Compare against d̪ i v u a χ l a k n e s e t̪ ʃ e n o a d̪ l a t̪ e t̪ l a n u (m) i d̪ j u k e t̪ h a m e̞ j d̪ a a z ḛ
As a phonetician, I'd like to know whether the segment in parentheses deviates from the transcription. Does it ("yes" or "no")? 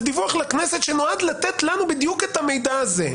yes